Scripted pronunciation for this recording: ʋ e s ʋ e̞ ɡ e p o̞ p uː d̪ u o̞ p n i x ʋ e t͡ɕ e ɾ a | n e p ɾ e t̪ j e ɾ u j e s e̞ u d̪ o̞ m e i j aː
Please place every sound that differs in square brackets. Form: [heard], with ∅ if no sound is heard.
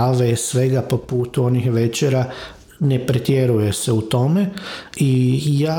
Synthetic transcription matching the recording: ʋ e s ʋ e̞ ɡ [a] p o̞ p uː [t̪] u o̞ [∅] n i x ʋ e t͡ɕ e ɾ a | n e p ɾ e t̪ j e ɾ u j e s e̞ u [t̪] o̞ m e i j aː